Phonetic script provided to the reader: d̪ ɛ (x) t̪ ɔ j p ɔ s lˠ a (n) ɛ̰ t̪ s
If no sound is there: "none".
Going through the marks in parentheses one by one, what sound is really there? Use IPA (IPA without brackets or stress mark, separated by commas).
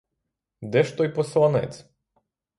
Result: ʃ, n